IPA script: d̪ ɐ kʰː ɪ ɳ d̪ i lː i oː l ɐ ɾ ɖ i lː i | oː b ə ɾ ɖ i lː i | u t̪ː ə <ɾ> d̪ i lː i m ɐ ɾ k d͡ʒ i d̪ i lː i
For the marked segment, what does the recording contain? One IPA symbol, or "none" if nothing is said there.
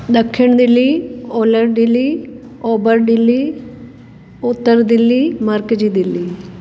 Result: ɾ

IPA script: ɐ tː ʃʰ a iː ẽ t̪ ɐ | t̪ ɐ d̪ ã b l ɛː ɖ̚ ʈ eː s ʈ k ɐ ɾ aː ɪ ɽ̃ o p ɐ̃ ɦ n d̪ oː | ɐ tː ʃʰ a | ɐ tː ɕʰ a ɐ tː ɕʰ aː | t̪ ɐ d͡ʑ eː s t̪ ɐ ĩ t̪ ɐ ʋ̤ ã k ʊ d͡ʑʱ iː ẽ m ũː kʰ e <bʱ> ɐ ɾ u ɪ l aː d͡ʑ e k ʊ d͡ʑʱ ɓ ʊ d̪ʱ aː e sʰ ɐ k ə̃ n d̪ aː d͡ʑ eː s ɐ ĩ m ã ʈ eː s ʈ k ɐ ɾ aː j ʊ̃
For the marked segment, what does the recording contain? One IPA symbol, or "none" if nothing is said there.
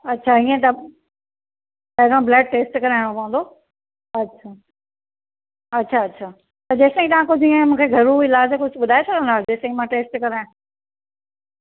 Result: ɡʱ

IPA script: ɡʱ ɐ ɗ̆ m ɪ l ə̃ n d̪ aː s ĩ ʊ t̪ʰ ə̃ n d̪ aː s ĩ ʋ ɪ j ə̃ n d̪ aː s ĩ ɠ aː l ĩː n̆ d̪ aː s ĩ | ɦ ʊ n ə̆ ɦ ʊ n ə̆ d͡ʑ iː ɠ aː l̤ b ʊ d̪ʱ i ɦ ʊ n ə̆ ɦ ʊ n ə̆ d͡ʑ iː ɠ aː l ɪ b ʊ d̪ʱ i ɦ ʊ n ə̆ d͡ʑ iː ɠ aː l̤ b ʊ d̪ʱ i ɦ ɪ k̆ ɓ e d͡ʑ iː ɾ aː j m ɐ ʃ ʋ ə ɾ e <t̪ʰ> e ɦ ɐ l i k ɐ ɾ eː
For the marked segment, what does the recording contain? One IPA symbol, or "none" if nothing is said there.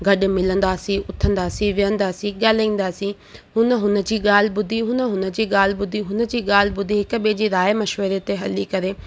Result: t̪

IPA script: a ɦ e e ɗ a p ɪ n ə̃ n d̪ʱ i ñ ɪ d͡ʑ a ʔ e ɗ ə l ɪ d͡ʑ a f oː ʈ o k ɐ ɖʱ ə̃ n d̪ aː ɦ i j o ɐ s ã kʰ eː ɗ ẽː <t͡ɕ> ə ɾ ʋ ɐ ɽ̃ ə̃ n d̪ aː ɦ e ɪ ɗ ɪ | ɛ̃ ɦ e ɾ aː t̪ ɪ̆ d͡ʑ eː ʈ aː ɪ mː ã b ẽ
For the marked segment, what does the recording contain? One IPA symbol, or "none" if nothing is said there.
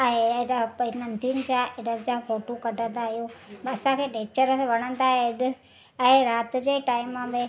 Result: t͡ɕ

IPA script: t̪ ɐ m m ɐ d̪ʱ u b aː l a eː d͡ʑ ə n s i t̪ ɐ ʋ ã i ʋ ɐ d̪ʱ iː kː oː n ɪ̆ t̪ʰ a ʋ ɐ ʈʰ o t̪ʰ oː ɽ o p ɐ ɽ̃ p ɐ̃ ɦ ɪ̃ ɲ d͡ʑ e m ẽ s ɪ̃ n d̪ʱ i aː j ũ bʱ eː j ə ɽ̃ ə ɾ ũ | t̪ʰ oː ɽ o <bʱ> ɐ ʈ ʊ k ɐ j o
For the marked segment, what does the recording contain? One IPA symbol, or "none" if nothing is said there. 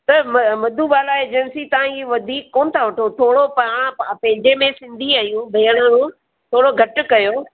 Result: ɡʱ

